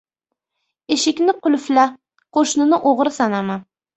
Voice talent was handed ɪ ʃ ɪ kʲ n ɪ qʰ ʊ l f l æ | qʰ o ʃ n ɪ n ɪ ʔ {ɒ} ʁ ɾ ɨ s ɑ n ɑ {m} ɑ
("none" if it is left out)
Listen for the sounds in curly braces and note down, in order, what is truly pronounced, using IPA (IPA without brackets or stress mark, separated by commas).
o, m